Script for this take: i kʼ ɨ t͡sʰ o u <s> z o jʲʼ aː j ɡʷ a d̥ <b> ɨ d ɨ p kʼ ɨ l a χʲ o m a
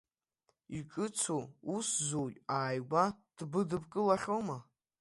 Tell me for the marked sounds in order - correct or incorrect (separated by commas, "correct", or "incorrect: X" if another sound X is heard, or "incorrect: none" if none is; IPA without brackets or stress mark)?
correct, correct